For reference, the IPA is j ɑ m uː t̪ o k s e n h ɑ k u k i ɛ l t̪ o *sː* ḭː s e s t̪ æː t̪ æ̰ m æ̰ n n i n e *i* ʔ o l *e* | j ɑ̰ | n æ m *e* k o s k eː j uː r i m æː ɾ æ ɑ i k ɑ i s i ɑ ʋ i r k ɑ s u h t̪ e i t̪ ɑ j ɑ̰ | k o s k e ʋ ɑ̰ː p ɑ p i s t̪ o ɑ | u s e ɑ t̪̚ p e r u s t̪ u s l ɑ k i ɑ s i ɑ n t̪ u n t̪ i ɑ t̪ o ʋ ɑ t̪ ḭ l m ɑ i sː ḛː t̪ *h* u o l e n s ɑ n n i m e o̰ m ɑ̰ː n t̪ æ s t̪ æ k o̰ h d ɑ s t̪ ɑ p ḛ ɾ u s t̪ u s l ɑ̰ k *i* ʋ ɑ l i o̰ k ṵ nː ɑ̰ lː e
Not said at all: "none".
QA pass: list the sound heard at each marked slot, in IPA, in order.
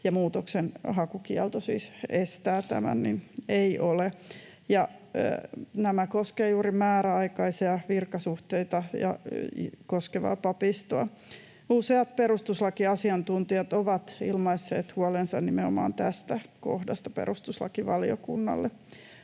s, i, e, æ, h, i

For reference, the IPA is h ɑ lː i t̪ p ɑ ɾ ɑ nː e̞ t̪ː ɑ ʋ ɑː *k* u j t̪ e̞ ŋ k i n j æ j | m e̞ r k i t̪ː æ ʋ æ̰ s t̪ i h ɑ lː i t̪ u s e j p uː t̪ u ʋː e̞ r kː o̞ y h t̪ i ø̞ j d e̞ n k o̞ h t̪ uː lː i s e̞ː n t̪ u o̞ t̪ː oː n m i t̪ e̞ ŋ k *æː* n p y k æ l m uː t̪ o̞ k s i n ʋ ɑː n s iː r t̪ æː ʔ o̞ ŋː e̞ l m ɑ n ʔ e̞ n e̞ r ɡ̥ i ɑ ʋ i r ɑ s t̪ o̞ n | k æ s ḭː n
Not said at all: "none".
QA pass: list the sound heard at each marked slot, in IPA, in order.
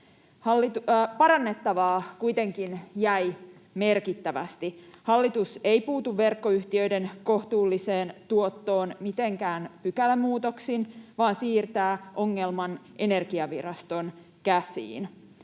k, æː

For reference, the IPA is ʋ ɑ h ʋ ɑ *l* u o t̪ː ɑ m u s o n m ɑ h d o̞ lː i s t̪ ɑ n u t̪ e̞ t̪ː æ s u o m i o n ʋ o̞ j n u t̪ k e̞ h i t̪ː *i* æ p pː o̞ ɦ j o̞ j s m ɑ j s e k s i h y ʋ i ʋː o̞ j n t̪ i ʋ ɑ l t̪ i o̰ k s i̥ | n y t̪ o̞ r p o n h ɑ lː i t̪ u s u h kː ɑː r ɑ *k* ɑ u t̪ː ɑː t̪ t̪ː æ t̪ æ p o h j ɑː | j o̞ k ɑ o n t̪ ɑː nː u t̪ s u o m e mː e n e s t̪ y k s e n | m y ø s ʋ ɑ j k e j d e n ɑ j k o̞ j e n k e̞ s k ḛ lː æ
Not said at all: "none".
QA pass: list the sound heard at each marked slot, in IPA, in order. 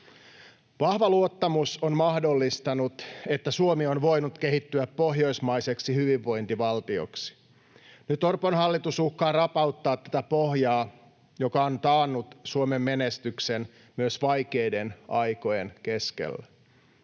l, y, p

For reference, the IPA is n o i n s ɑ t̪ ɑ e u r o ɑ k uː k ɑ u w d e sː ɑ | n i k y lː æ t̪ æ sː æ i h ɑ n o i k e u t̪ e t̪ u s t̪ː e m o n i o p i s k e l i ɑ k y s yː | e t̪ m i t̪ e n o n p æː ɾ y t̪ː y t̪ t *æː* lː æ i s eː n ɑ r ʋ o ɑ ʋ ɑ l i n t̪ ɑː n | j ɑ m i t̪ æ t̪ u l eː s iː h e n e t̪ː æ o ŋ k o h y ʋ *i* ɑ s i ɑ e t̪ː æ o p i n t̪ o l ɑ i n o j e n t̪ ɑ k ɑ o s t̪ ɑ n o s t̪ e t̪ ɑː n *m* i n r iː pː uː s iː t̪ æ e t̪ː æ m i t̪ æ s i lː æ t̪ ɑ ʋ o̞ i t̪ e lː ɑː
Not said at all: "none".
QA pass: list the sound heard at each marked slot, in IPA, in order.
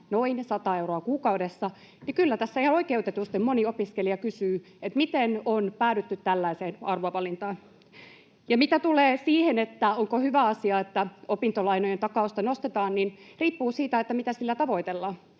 æ, æ, n

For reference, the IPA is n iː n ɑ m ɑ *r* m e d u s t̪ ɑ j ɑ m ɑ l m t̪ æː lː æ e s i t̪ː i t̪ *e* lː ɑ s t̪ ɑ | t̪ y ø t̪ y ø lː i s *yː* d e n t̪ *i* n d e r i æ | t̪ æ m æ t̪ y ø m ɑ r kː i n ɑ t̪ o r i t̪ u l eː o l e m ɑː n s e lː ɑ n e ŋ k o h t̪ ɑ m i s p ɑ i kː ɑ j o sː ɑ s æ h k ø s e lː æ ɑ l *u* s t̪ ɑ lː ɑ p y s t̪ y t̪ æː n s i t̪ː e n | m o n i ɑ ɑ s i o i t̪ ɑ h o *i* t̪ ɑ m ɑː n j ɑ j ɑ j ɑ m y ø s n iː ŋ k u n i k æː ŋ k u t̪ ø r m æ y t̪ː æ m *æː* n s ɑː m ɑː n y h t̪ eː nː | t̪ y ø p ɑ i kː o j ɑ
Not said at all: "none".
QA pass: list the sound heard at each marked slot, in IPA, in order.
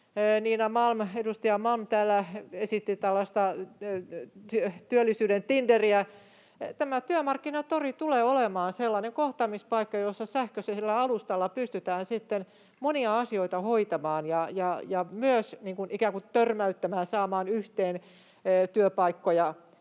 l, æ, yː, i, u, i, æː

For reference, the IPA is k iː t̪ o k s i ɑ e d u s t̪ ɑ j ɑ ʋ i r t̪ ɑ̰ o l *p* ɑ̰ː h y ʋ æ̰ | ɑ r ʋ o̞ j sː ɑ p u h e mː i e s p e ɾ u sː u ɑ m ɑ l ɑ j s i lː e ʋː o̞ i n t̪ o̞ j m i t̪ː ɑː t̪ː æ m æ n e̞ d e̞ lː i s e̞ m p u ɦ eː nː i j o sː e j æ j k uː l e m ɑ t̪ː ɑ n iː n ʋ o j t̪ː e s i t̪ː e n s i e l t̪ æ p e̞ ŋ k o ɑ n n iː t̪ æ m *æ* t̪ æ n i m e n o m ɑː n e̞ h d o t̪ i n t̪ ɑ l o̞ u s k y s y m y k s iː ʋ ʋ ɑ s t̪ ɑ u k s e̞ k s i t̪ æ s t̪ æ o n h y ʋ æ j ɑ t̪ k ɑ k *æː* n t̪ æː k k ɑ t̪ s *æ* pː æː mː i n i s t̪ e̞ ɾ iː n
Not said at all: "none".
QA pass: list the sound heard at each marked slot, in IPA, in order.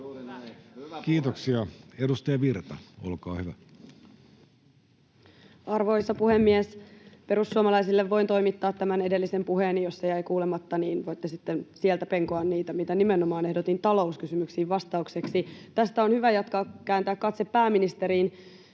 k, i, æː, e

